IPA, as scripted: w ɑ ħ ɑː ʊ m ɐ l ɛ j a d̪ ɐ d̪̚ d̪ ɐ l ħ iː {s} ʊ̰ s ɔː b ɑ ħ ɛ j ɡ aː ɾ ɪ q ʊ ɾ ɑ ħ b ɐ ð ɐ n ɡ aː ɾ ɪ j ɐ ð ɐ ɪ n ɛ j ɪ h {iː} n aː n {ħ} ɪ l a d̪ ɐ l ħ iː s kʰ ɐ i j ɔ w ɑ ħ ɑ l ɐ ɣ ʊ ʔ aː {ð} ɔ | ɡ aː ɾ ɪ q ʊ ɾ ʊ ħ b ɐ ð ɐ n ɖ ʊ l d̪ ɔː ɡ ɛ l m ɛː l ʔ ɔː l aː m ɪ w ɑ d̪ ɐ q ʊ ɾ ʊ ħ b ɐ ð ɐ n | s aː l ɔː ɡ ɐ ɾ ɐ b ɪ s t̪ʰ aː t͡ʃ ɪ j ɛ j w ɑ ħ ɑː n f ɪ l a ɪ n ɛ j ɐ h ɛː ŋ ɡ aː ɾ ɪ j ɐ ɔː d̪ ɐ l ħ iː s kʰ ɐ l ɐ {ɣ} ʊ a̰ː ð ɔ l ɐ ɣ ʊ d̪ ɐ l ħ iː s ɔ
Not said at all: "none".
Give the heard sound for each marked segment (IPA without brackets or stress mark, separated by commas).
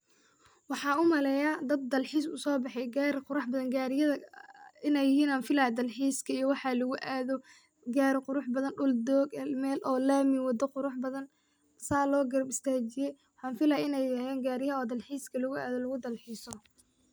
s, iː, f, ð, ɣ